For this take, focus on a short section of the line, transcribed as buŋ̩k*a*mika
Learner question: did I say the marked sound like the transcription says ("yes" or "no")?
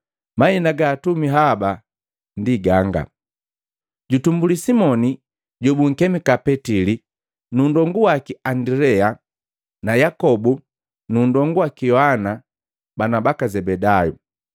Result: no